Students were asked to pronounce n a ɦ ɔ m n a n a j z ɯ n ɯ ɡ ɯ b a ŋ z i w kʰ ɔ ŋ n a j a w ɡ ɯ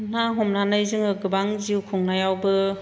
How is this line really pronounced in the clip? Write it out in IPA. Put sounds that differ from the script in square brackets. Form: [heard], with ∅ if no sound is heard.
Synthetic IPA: n a ɦ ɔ m n a n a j z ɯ [ŋ] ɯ ɡ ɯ b a ŋ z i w kʰ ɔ ŋ n a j a w [b] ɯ